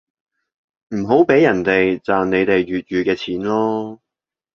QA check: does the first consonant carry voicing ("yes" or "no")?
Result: yes